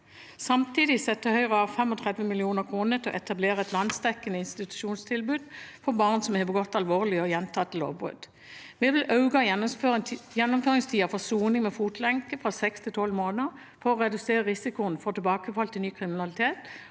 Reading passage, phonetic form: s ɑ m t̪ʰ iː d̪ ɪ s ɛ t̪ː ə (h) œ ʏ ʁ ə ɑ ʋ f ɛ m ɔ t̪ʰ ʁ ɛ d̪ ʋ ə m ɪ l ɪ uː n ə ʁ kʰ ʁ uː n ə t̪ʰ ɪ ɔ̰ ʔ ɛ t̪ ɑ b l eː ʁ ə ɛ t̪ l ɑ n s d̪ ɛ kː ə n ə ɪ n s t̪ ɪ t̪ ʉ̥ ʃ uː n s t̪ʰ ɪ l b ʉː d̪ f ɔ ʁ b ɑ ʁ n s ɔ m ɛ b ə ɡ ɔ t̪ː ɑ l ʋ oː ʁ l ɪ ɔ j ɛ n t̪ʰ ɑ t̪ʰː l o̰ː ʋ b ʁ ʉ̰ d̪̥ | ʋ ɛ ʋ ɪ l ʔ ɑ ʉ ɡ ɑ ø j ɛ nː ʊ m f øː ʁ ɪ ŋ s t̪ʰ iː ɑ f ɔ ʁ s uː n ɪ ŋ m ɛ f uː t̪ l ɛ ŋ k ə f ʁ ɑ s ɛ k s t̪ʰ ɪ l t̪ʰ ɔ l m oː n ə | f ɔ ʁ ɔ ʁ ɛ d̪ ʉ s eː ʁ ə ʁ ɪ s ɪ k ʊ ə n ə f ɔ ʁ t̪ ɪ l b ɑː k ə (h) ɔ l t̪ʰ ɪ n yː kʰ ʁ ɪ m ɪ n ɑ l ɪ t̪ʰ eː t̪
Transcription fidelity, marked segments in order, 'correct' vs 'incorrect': correct, incorrect: f

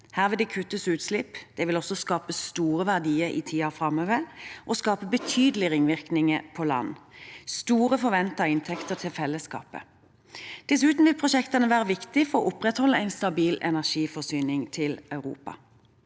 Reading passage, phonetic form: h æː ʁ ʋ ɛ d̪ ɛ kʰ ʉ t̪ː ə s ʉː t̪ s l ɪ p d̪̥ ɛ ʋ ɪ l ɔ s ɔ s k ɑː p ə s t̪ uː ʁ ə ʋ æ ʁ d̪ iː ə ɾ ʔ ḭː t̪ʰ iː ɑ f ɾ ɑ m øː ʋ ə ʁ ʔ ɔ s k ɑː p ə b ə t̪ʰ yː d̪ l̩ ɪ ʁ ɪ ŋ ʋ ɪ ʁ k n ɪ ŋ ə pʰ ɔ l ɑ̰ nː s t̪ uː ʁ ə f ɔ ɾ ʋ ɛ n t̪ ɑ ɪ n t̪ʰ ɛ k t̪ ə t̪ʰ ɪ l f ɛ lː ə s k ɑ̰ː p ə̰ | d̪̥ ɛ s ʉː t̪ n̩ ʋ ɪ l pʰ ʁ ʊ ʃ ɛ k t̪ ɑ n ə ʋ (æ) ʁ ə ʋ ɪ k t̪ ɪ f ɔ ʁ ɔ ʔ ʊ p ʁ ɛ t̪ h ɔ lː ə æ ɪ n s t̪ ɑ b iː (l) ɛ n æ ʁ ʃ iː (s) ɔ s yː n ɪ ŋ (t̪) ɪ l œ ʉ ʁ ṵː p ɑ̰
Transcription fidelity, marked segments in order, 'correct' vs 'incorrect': incorrect: æː, correct, incorrect: f, incorrect: t̪ʰ

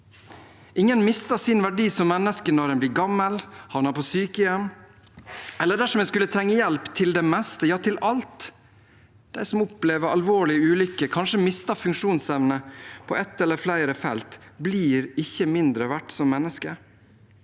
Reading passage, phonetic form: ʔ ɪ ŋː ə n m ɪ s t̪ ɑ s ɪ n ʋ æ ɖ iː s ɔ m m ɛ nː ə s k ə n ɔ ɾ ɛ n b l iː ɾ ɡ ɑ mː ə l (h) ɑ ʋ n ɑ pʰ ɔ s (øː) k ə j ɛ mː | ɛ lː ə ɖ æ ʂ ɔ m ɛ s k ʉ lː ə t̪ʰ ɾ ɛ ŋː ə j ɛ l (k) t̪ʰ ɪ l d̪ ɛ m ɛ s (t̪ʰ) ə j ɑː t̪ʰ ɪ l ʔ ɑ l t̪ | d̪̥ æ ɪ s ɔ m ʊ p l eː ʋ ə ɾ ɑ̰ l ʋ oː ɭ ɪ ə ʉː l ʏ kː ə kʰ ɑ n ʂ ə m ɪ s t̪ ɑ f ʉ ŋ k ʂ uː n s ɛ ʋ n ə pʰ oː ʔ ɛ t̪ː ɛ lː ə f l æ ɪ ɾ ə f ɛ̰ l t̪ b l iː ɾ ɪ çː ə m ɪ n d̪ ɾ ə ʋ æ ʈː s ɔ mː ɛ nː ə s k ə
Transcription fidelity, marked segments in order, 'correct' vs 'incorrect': correct, incorrect: yː, incorrect: p, incorrect: t̪

